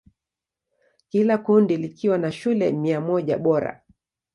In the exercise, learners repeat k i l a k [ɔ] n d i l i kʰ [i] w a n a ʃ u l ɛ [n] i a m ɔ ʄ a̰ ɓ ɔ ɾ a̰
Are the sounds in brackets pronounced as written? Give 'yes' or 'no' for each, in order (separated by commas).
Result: no, yes, no